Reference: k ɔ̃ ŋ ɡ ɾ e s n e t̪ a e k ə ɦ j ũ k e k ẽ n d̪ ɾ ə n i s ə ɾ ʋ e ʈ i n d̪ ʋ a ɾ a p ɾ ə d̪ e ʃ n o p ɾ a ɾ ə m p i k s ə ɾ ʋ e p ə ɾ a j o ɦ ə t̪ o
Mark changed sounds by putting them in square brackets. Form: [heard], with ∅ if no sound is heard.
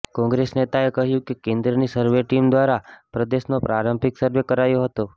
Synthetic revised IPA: k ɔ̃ ŋ ɡ ɾ e s n e t̪ a e k ə ɦ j ũ k e k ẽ n d̪ ɾ ə n i s ə ɾ ʋ e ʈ i [m] d̪ ʋ a ɾ a p ɾ ə d̪ e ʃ n o p ɾ a ɾ ə m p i k s ə ɾ ʋ e [k] ə ɾ a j o ɦ ə t̪ o